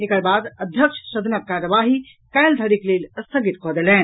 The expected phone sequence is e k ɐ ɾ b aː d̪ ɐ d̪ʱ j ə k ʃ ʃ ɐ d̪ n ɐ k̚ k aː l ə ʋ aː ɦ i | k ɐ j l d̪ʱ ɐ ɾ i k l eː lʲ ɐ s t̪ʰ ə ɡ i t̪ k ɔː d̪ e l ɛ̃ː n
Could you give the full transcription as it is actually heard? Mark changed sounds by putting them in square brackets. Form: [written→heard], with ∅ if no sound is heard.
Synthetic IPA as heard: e k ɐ ɾ b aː d̪ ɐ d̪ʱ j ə k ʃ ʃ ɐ d̪ n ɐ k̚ k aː [l→ɾ] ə ʋ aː ɦ i | k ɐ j l d̪ʱ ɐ ɾ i k l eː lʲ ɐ s t̪ʰ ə ɡ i t̪ k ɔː d̪ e l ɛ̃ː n